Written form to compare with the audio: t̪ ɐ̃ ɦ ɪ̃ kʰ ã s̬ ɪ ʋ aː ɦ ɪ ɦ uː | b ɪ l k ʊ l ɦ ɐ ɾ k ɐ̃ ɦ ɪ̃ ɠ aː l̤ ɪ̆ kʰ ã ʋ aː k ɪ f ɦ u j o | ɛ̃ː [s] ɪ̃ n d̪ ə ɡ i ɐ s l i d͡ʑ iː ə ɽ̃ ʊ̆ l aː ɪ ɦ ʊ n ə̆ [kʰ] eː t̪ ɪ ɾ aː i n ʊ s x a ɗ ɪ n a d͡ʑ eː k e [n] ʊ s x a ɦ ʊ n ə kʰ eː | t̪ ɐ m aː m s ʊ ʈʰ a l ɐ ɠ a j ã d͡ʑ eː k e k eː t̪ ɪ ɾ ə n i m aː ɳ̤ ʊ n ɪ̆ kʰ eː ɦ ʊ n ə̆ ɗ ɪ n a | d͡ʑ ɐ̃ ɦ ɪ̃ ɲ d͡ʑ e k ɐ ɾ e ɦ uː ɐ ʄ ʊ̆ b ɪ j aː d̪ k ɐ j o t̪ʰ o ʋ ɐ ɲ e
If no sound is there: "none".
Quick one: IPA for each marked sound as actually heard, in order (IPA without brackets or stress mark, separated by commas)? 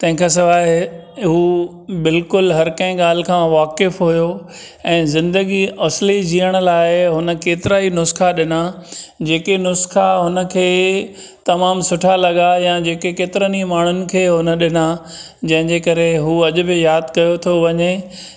z, k, n